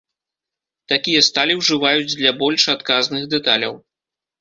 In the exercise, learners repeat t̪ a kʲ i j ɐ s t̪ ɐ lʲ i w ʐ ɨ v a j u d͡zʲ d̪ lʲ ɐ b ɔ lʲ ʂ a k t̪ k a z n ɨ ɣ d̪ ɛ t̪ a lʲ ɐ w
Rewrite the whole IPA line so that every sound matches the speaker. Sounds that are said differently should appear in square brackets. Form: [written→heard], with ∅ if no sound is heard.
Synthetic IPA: t̪ a kʲ i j ɐ s t̪ [ɐ→a] lʲ i w ʐ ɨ v a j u d͡zʲ d̪ lʲ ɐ b ɔ lʲ ʂ a [k→∅] t̪ k a z n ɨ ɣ d̪ ɛ t̪ a lʲ ɐ w